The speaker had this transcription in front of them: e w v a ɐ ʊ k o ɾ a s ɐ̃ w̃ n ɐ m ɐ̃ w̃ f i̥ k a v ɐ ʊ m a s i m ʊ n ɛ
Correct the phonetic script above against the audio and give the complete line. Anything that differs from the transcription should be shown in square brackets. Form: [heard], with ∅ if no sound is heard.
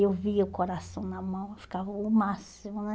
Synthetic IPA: e w v [i] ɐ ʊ k o ɾ a s ɐ̃ w̃ n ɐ m ɐ̃ w̃ f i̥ k a v ɐ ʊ m a s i m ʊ n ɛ